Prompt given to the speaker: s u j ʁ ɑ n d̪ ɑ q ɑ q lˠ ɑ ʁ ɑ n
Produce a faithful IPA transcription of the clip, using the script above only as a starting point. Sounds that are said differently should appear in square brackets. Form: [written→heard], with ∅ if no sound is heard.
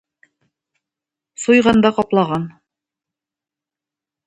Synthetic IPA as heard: s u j ʁ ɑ n d̪ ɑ q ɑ [q→p] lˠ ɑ ʁ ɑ n